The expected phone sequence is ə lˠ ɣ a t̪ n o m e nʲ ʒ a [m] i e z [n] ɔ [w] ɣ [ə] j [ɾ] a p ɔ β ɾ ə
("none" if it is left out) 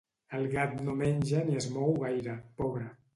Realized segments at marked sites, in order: n, m, w, a, ɾ

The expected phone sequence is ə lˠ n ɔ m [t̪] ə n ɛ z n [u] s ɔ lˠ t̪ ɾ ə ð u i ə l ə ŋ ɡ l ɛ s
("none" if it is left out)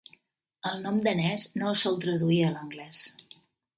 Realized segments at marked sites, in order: d̪, o

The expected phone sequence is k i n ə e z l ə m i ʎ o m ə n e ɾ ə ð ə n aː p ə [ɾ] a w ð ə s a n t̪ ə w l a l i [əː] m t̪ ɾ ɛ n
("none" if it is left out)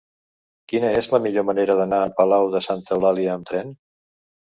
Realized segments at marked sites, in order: l, əː

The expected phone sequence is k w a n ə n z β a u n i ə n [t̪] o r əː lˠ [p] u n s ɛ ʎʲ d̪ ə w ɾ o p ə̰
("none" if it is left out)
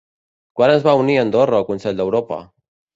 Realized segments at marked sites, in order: d̪, k

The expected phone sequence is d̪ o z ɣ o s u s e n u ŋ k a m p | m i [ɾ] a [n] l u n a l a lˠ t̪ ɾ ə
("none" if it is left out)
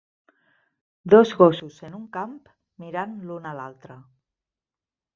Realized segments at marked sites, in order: ɾ, n

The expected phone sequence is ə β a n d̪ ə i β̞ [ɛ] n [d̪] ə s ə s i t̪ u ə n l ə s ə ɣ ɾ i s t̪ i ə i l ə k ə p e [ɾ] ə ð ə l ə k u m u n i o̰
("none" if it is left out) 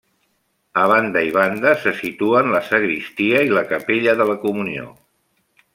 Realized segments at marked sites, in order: a, d̪, ʎ

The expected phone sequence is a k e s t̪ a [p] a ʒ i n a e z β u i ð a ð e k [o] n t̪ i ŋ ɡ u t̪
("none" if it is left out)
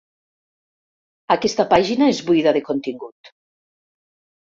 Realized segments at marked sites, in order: p, o

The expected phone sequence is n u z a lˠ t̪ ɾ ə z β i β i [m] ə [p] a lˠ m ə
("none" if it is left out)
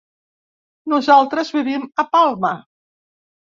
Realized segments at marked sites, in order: m, p

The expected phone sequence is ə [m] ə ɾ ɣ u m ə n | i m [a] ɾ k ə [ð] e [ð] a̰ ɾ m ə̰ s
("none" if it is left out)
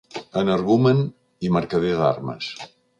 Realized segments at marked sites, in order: n, ə, ð, ð

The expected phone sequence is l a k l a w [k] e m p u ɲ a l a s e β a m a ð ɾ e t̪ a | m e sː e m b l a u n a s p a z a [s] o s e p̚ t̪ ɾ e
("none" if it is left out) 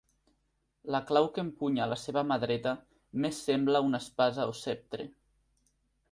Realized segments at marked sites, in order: k, none

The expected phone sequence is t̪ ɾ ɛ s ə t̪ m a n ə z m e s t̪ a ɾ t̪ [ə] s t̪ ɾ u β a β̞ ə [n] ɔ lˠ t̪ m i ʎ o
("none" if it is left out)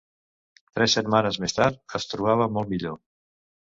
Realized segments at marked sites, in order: ə, m

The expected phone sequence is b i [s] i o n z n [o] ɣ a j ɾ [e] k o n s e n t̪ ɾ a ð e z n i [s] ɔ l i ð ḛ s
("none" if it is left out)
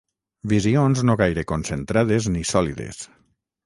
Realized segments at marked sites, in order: z, o, e, s

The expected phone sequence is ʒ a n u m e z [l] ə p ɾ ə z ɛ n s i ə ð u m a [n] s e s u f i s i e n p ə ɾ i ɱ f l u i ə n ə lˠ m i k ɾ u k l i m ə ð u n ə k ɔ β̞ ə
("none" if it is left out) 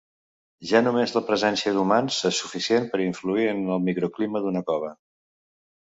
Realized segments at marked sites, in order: l, n

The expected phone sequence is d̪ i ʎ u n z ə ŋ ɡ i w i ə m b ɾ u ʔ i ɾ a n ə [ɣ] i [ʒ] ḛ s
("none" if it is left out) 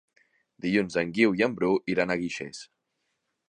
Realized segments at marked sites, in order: ɣ, ʃ

